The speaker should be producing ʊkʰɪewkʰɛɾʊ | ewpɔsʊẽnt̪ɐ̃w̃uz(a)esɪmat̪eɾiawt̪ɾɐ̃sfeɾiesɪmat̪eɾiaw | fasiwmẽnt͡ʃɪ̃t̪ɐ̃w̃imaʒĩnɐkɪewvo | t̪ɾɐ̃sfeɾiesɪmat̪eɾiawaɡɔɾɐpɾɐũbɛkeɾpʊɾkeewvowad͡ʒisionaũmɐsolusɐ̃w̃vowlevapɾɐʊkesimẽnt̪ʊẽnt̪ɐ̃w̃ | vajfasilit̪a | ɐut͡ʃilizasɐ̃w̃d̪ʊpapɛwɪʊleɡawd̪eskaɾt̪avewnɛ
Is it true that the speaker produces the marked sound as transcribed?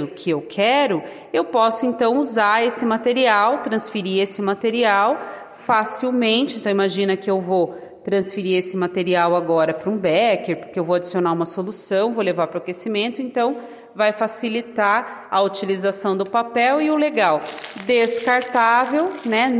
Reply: yes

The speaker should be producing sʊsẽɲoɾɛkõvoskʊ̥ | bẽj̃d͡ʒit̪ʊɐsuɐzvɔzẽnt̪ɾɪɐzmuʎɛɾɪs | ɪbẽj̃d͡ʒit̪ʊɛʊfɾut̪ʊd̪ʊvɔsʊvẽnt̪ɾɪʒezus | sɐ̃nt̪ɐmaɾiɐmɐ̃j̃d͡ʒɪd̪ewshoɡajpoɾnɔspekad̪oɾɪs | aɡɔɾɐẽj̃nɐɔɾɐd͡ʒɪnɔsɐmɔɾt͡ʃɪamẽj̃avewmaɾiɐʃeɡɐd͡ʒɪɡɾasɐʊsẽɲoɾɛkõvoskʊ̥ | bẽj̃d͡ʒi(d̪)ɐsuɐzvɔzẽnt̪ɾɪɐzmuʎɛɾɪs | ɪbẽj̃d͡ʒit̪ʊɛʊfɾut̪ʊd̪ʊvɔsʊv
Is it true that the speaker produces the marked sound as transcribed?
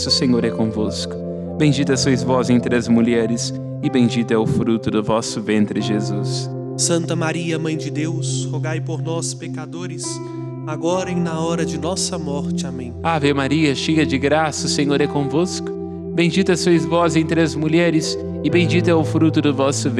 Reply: no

